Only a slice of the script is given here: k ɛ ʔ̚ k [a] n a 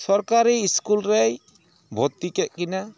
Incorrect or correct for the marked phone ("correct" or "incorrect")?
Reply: incorrect